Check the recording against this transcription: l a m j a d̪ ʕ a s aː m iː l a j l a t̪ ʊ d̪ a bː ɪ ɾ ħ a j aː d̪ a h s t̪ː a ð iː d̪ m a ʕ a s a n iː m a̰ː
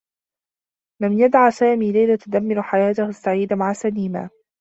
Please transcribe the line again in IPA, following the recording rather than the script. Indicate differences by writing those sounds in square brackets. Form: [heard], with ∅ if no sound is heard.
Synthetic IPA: l a m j a d̪ ʕ a s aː m iː l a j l a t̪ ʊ d̪ a [mː] ɪ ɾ ħ a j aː [t̪] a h s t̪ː a [ʕ] iː d̪ m a ʕ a s a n iː m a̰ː